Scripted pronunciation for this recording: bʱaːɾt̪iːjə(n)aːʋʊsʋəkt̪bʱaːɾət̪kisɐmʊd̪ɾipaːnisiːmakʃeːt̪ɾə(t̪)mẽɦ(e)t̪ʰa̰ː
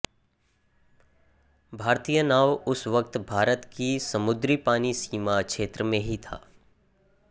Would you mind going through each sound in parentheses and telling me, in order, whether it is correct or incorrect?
correct, incorrect, incorrect

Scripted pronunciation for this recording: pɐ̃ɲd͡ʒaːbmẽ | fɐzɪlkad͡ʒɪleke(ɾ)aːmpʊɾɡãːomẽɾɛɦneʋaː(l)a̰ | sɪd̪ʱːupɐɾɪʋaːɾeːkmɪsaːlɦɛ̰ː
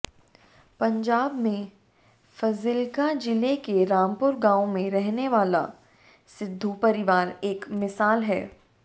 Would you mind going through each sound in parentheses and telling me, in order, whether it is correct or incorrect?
correct, correct

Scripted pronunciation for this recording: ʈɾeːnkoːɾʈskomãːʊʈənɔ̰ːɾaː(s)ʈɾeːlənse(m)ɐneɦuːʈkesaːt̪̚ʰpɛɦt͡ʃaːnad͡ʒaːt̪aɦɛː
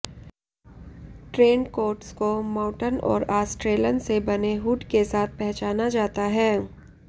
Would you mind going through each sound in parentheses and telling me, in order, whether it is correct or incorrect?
correct, incorrect

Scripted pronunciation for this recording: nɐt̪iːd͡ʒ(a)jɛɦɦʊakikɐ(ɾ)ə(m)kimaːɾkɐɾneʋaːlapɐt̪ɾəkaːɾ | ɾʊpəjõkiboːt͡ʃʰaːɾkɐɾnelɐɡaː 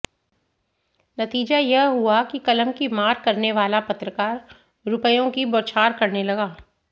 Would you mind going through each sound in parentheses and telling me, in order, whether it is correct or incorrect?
correct, incorrect, correct

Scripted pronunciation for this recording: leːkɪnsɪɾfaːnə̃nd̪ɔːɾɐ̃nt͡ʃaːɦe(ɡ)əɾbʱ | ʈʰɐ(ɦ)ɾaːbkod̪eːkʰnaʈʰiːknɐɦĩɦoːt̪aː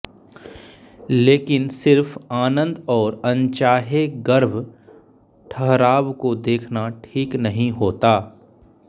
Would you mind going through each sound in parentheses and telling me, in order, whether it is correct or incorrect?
correct, correct

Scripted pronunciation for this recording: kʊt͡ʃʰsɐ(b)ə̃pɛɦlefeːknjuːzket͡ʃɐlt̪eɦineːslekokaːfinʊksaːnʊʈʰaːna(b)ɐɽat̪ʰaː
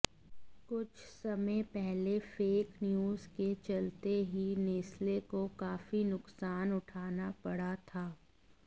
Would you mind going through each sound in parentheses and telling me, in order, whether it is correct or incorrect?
incorrect, incorrect

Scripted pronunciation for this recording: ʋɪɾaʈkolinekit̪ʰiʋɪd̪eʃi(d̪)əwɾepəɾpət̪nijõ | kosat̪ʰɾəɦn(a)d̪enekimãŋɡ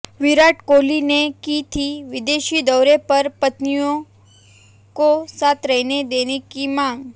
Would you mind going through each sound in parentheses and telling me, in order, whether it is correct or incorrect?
correct, incorrect

